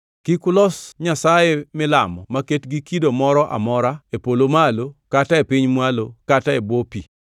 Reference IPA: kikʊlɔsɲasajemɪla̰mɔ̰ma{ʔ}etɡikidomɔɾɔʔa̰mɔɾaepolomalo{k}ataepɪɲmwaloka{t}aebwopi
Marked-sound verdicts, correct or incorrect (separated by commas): incorrect, correct, correct